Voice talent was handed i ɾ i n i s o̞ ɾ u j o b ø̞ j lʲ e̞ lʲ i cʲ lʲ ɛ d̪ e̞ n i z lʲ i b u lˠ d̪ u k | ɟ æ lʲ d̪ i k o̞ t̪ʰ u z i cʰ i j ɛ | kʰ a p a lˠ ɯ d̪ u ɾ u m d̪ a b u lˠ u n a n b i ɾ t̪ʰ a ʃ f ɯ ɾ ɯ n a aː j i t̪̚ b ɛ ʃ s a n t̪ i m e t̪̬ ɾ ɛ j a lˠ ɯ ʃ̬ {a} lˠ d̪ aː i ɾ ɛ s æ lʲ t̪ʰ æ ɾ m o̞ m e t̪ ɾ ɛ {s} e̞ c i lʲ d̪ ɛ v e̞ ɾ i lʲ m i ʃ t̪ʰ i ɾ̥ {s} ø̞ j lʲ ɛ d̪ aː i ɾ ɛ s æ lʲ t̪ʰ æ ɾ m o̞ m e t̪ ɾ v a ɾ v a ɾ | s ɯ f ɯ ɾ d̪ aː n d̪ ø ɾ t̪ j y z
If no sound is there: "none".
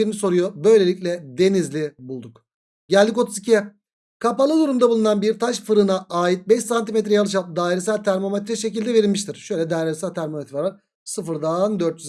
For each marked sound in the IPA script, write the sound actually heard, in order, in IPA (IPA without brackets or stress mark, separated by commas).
a, ʃ, ʃ